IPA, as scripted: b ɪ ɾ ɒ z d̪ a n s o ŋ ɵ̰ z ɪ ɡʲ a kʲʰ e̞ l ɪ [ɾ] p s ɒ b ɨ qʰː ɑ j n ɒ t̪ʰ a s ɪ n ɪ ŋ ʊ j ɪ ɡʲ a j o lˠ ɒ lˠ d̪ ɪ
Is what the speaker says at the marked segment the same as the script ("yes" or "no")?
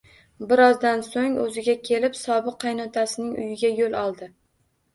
no